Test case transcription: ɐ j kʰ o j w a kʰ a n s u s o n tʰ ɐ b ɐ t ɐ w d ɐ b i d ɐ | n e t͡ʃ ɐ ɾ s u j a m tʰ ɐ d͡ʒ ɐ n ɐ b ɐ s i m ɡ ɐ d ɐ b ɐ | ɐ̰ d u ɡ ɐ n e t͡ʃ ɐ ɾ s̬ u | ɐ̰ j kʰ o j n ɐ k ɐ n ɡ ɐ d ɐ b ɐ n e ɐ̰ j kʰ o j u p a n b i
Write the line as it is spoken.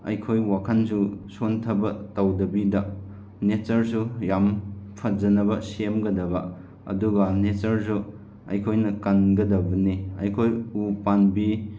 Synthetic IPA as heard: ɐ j kʰ o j w a kʰ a n s u s o n tʰ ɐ b ɐ t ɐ w d ɐ b i d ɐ | n e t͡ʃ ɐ ɾ s u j a m pʰ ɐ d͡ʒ ɐ n ɐ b ɐ s e m ɡ ɐ d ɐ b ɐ | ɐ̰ d u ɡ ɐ n e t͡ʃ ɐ ɾ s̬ u | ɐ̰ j kʰ o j n ɐ k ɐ n ɡ ɐ d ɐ b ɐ n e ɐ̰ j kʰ o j u p a n b i